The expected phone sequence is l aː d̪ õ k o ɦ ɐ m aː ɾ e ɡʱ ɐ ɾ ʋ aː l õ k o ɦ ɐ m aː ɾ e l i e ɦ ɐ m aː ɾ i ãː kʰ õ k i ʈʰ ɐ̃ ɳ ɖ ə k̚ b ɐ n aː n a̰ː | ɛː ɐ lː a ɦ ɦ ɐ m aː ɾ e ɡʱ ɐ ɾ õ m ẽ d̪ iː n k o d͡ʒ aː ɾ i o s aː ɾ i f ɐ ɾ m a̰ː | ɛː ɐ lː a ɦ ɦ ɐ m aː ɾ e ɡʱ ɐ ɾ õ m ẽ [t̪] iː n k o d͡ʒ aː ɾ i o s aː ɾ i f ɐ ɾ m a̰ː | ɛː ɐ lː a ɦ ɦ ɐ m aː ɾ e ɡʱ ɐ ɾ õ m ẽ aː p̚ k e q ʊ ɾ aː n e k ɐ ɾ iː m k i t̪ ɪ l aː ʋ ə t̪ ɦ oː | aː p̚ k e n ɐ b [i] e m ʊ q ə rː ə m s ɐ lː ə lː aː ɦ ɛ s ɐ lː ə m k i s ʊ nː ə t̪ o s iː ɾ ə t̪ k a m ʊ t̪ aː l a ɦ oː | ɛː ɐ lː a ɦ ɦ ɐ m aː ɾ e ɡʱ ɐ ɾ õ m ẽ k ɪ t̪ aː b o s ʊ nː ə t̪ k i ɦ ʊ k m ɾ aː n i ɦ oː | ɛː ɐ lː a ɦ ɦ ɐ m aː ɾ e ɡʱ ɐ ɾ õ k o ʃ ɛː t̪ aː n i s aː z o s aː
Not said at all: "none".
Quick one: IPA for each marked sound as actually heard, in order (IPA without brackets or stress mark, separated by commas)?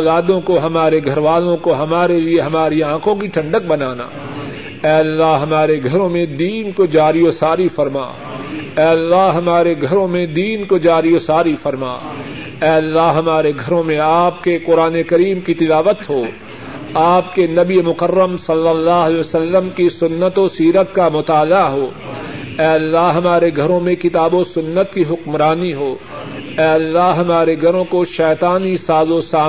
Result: d̪, i